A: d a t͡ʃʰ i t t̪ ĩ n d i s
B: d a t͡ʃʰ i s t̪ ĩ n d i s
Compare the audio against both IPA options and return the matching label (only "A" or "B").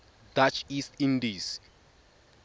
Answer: B